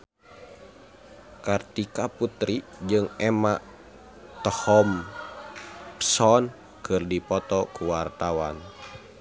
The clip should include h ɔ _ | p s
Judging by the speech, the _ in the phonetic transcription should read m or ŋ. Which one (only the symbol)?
m